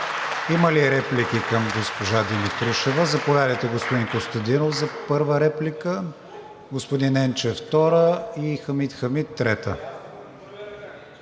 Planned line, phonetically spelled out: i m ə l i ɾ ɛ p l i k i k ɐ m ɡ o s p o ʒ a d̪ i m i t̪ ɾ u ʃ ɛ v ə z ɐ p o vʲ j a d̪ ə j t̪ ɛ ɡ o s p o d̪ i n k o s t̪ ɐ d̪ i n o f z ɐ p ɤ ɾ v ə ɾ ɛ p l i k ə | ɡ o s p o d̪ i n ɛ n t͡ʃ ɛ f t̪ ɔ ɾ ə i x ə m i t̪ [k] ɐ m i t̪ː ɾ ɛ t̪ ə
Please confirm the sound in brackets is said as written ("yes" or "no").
no